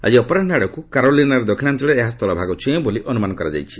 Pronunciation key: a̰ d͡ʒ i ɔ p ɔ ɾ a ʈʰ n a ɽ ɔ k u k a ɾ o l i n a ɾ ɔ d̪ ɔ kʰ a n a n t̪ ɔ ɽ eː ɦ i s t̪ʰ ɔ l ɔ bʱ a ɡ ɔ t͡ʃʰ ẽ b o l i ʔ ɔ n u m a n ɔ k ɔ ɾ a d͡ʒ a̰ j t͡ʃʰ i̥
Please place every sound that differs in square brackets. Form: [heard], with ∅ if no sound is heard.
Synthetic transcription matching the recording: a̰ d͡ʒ i ɔ p ɔ ɾ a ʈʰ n a ɽ ɔ k u k a ɾ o l i n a ɾ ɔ d̪ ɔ kʰ [i] n a n t̪ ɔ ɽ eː ɦ [a] s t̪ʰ ɔ l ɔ bʱ a ɡ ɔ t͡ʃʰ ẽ b o l i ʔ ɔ n u m a n ɔ k ɔ ɾ a d͡ʒ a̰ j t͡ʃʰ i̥